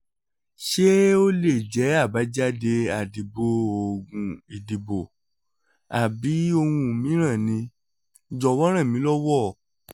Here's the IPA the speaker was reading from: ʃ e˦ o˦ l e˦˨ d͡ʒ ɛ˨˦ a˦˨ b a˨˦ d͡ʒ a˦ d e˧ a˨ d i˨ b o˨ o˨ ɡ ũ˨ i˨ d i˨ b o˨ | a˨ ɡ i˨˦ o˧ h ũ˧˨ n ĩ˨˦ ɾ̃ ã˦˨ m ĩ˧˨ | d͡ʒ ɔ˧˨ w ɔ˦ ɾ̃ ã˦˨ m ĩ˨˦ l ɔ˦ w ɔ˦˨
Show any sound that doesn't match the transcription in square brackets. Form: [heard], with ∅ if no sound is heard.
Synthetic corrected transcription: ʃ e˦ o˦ l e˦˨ d͡ʒ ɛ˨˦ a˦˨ b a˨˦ d͡ʒ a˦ d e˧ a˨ d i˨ b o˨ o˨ ɡ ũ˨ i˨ d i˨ b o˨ | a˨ [b] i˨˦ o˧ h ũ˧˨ [m] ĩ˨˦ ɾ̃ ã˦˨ [n] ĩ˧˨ | d͡ʒ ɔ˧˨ w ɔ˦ ɾ̃ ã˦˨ m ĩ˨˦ l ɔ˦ w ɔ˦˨